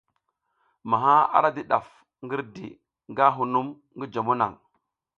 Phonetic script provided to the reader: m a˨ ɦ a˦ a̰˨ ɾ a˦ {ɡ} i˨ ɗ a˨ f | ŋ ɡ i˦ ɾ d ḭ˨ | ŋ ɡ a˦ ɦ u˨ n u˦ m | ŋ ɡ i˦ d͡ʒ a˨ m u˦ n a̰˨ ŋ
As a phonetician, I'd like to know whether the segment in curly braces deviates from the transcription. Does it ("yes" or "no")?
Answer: yes